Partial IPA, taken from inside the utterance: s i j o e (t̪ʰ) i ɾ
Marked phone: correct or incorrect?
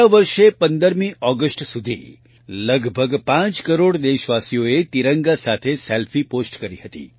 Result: incorrect